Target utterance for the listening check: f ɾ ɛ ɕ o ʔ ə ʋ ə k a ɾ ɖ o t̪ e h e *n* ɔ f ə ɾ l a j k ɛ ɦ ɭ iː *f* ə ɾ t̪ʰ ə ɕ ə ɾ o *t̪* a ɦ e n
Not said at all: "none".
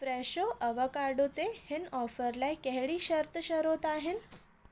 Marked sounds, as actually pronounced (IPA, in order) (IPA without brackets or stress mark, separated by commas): n, ɕ, t̪